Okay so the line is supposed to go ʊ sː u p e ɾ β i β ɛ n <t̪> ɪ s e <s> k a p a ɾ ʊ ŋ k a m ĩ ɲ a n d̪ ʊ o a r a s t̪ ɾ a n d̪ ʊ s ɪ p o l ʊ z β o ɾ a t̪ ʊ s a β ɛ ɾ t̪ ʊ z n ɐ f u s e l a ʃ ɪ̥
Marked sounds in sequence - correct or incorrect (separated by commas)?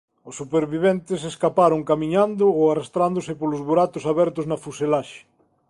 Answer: correct, correct